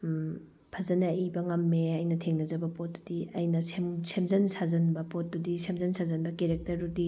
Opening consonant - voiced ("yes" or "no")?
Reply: no